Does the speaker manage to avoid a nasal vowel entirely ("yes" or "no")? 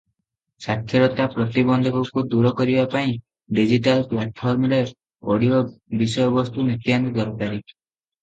no